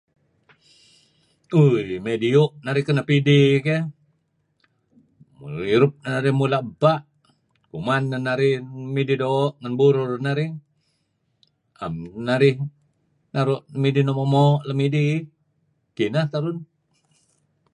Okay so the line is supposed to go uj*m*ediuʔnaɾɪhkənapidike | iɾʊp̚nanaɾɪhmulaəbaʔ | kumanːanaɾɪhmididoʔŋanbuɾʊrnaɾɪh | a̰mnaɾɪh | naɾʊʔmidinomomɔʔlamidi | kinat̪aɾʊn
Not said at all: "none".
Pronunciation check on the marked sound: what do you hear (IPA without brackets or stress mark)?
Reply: m